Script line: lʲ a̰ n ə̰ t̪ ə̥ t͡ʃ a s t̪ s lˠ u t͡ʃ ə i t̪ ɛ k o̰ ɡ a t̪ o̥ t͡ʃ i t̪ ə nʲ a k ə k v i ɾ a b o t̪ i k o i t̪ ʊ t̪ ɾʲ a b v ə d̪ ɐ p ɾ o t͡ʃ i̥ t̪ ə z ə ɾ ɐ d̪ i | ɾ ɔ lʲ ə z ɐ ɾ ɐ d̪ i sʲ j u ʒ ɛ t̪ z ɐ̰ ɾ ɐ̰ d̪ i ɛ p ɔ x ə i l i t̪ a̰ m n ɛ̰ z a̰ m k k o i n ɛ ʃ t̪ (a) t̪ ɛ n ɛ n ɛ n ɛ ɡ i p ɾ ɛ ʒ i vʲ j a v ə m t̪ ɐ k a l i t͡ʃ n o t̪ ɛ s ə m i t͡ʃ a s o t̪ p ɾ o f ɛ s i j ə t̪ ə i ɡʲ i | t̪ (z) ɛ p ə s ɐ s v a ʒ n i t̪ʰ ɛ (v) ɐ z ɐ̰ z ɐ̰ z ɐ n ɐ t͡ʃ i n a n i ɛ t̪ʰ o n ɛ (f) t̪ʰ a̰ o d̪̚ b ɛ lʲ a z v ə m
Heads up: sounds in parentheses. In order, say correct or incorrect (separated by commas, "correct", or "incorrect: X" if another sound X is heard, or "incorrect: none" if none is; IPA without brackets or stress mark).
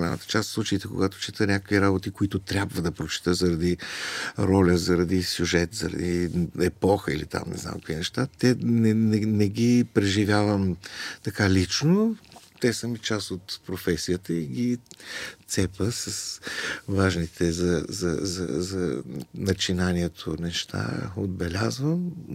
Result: correct, incorrect: s, incorrect: z, incorrect: ʃ